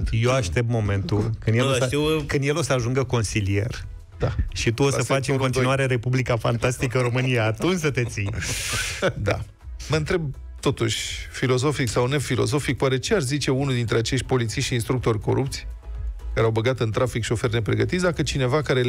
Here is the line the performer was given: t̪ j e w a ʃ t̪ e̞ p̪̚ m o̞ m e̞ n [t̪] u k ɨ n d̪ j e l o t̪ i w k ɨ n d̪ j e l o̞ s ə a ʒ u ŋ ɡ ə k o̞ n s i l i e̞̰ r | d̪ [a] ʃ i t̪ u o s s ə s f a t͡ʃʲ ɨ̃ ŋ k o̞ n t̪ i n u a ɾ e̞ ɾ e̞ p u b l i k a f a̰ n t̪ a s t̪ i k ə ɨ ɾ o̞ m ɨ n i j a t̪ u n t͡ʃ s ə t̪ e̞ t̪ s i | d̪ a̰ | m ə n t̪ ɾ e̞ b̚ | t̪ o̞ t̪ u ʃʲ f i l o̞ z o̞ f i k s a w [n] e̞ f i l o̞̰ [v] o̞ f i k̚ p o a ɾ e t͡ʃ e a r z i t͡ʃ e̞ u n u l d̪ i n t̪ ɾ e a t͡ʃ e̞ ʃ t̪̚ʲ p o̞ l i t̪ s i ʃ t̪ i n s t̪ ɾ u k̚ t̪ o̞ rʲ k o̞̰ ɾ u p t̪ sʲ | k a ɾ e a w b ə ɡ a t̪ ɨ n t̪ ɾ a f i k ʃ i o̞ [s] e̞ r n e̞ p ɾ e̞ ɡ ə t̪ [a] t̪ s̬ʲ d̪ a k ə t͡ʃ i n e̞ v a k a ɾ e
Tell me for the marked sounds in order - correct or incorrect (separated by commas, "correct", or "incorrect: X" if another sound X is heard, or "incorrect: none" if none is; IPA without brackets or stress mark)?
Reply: correct, correct, correct, incorrect: z, incorrect: f, incorrect: i